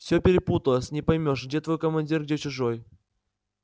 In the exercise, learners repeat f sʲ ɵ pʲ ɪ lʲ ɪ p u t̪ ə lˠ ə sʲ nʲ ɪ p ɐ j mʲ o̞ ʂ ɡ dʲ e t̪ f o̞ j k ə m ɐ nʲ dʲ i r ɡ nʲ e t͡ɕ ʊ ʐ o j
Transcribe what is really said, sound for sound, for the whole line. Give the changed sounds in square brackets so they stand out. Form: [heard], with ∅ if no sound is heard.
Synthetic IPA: f sʲ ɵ pʲ ɪ [ɾʲ] ɪ p u t̪ ə lˠ ə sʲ nʲ ɪ p ɐ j mʲ o̞ ʂ ɡ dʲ e t̪ [v] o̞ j k ə m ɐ nʲ dʲ i r ɡ [dʲ] e t͡ɕ ʊ ʐ o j